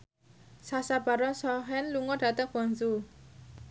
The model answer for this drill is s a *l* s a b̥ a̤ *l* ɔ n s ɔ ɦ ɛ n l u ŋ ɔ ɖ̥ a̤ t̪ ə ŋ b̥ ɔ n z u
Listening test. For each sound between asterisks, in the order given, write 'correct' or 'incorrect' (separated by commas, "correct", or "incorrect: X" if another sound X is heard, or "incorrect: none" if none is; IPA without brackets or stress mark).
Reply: incorrect: none, incorrect: ɾ